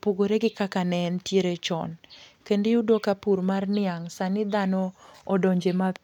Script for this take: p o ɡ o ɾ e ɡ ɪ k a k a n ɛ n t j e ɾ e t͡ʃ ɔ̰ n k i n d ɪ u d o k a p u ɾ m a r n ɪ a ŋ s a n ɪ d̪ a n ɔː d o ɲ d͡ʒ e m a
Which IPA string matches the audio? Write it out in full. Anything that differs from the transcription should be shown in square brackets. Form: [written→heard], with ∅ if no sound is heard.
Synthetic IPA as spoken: p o ɡ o ɾ e ɡ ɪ k a k a n ɛ n t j e ɾ e t͡ʃ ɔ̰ n k [i→e] n d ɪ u d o k a p u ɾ m a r n ɪ a ŋ s a n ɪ d̪ a n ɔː d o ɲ d͡ʒ e m a